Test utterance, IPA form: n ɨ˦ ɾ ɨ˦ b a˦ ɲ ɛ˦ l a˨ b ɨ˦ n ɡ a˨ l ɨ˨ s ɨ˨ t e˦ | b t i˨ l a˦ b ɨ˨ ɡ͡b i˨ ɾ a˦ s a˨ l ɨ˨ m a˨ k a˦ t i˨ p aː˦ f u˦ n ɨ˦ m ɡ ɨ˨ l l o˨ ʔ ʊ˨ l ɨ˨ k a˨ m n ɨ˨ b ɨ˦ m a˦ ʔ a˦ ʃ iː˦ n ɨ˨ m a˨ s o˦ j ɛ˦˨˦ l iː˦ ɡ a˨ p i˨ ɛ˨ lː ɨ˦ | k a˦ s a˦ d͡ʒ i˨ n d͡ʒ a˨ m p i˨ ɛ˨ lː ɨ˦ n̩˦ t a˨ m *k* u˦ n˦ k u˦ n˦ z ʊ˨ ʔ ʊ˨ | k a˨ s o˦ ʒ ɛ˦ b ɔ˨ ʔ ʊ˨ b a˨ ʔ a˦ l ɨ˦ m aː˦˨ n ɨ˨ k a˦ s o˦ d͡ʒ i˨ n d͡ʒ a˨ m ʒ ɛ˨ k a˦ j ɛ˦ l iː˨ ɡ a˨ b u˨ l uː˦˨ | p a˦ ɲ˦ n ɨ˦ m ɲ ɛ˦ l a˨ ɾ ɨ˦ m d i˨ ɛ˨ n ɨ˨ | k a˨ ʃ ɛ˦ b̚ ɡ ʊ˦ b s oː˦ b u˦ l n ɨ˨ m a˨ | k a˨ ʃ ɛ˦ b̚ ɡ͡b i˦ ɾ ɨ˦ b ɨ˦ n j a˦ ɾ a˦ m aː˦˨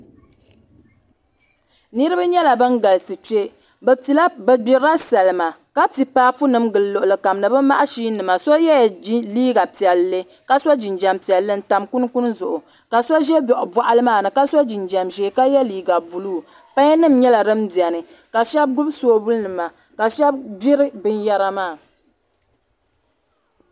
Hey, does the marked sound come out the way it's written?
yes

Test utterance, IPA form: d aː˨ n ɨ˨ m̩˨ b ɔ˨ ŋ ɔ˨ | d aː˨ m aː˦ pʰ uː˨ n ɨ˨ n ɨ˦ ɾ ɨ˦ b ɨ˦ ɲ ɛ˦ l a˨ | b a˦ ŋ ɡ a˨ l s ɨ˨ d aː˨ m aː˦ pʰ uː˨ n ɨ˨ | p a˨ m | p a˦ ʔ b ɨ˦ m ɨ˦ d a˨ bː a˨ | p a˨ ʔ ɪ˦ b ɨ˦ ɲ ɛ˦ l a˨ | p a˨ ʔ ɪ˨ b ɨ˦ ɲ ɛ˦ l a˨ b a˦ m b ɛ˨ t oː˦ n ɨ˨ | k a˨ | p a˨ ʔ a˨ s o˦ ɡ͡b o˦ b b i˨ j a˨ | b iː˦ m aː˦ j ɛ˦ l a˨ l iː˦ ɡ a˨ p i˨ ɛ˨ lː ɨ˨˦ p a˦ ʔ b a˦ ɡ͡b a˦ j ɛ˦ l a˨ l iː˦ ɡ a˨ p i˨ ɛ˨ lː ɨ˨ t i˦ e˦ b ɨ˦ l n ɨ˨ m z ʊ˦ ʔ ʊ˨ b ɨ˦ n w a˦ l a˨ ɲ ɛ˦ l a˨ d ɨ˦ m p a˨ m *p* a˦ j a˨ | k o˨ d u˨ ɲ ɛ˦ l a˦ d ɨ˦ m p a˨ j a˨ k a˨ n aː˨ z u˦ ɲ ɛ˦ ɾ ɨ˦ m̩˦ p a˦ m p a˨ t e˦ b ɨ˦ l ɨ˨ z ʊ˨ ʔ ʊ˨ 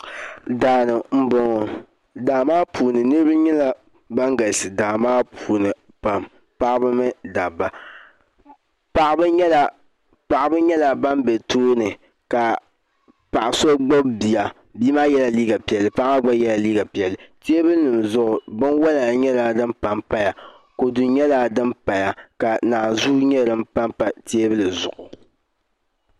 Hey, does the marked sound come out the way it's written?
yes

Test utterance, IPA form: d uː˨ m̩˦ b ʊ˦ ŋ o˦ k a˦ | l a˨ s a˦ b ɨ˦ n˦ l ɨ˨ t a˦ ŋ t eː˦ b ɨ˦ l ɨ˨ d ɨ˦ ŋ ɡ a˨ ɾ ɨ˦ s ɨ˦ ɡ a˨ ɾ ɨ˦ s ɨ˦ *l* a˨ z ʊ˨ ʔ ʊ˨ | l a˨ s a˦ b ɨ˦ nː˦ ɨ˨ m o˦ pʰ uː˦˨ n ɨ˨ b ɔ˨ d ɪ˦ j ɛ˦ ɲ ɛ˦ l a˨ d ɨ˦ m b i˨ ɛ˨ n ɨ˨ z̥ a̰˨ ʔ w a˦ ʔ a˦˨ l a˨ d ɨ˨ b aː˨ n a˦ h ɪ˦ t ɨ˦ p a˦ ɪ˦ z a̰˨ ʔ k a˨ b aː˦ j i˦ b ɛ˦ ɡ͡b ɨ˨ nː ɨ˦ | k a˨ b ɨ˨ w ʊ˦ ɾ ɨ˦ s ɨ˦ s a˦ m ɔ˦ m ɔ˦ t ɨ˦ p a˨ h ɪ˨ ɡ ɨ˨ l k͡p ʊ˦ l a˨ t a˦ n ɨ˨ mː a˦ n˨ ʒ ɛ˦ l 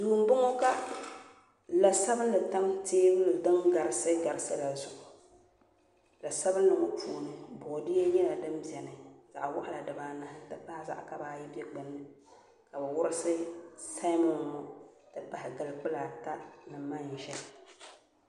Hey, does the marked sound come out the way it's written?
yes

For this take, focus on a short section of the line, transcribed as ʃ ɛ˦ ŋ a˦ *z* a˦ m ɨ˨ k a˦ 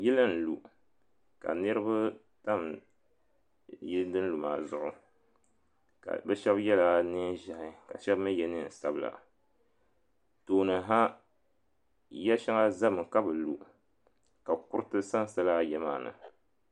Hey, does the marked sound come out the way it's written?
yes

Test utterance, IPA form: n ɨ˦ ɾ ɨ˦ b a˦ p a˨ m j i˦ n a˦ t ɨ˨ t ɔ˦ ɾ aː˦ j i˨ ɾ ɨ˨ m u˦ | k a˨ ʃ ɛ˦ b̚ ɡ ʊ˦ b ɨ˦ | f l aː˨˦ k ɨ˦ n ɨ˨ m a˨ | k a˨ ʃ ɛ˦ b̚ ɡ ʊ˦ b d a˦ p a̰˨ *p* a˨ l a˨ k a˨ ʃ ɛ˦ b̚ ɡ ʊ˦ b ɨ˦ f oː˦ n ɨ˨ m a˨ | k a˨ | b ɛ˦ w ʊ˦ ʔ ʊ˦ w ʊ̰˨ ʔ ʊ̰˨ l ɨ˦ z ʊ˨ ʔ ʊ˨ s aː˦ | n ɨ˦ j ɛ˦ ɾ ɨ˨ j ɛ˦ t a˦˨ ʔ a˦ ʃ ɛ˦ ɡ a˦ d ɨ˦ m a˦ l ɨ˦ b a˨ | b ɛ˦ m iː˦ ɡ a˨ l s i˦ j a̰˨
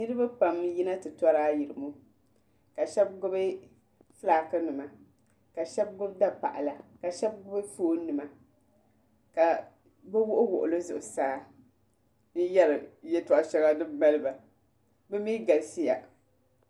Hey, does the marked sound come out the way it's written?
no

